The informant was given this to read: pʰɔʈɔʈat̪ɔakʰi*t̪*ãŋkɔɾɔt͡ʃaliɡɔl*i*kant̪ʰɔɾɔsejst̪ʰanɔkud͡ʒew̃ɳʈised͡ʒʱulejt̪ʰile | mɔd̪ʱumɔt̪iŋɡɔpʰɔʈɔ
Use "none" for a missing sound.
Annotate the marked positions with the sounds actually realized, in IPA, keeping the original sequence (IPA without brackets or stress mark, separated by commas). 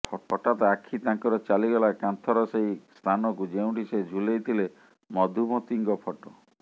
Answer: t̪, a